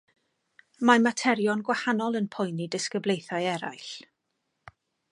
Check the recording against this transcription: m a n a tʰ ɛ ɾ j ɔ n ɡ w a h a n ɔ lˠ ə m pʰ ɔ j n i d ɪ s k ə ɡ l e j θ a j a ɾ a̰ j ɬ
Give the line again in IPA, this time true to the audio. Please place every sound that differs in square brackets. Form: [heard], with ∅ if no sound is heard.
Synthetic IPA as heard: m a [m] a tʰ ɛ ɾ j ɔ n ɡ w a h a n ɔ lˠ ə [n] pʰ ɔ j n i d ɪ s k ə [b] l e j θ a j [ɛ] ɾ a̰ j ɬ